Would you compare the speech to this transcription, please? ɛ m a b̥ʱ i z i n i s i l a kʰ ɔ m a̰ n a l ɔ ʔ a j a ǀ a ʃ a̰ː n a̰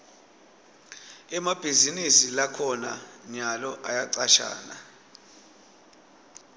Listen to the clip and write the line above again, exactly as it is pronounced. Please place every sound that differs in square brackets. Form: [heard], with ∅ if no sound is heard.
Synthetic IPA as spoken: ɛ m a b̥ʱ i z i n i s i l a kʰ ɔ [n] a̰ [ɲ] a l ɔ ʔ a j a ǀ a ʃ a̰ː n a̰